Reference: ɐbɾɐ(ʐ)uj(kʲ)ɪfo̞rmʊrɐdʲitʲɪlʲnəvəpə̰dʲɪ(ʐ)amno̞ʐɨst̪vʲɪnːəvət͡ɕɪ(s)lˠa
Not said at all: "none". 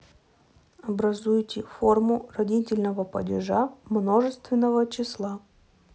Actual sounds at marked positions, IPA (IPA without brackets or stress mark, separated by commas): z, tʲ, ʐ, s